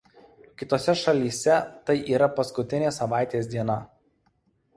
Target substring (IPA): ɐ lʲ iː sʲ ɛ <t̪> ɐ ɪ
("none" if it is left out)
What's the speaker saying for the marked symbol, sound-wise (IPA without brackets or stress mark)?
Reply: t̪